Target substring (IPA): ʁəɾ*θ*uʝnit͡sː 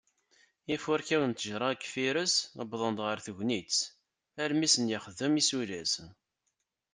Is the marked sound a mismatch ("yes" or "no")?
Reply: no